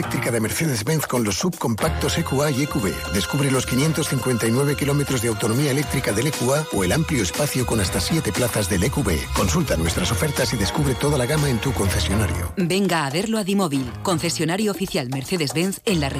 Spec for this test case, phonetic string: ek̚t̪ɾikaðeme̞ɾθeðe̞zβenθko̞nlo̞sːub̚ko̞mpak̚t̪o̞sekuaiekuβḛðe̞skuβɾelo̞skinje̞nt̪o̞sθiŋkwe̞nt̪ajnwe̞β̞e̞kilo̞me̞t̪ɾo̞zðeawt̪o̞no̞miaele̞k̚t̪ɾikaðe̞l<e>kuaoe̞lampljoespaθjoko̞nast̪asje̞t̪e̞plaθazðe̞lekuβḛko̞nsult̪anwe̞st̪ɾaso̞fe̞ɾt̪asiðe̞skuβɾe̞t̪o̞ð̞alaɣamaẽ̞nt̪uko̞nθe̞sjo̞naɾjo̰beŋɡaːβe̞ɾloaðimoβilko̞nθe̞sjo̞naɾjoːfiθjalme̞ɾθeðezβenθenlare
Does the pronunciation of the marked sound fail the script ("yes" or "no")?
no